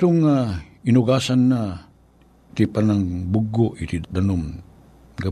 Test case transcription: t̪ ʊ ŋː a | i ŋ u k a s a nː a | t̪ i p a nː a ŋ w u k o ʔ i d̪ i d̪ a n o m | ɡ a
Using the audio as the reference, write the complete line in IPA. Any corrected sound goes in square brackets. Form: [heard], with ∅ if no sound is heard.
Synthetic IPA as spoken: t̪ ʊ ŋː a | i [n] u [ɡ] a s a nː a | t̪ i p a [n] a ŋ [b] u [ɡ] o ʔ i [t̪] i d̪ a n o m | ɡ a